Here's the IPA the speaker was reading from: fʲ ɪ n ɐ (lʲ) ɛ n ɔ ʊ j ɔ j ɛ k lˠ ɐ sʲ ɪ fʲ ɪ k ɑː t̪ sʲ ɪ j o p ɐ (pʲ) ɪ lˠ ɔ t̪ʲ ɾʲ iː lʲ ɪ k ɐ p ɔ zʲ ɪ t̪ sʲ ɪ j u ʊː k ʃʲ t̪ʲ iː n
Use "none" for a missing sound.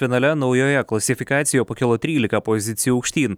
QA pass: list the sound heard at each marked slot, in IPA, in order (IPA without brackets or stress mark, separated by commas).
lʲ, kʲ